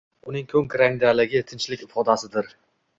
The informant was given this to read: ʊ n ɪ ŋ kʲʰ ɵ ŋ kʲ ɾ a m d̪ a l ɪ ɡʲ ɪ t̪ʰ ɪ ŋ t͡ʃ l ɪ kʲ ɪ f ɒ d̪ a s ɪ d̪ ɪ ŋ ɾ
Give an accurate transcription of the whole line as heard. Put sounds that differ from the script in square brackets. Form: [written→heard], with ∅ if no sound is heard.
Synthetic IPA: ʊ n ɪ ŋ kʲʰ ɵ ŋ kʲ ɾ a [m→ŋ] d̪ a l ɪ ɡʲ ɪ t̪ʰ ɪ [ŋ→n] t͡ʃ l ɪ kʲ ɪ f ɒ d̪ a s ɪ d̪ ɪ [ŋ→∅] ɾ